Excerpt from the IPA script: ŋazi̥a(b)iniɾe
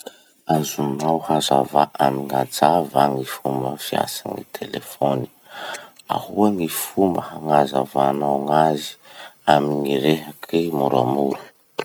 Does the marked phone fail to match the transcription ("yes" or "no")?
yes